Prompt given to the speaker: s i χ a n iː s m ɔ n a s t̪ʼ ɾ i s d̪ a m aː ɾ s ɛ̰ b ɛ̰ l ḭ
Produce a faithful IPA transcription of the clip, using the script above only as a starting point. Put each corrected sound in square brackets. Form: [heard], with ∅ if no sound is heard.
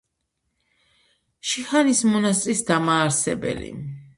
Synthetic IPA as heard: [ʃ] i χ a n [i] s m ɔ n a s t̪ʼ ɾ i s d̪ a m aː ɾ s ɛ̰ b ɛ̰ l ḭ